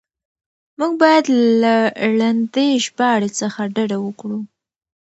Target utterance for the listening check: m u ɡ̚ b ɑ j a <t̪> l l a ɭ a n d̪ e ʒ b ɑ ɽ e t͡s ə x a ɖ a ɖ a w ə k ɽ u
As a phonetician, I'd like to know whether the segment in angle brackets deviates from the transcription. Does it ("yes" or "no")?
yes